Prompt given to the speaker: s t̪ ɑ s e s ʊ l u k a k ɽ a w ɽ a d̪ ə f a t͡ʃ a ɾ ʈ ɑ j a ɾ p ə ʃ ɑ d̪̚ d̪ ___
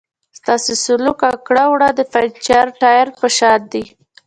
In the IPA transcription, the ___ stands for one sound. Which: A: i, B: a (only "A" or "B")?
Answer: A